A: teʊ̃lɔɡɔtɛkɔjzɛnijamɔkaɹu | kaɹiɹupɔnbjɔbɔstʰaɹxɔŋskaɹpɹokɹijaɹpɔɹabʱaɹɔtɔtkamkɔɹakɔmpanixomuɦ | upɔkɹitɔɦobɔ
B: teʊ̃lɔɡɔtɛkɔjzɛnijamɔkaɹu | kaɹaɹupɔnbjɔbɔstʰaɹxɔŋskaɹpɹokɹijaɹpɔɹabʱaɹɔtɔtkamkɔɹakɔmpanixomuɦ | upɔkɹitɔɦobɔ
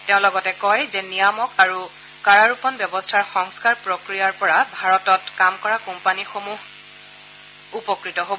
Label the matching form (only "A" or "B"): B